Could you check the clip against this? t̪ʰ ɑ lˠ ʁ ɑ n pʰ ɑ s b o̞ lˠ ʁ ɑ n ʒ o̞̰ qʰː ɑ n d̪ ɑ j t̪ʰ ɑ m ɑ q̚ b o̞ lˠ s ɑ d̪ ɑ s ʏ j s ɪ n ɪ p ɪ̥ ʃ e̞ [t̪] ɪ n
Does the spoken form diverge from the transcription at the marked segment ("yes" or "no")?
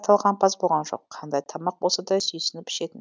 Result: no